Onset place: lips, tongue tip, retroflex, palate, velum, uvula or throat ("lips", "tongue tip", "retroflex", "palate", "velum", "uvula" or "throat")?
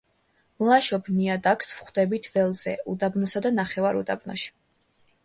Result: lips